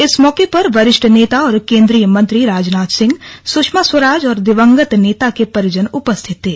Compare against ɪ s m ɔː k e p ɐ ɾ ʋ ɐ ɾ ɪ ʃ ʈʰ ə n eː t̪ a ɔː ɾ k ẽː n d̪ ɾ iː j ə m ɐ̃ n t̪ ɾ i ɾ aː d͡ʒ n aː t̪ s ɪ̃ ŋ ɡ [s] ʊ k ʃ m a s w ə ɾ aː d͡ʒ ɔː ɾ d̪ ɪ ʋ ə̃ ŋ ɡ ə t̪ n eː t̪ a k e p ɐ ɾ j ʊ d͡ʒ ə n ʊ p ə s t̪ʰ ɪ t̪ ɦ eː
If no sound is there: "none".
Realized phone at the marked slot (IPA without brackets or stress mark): s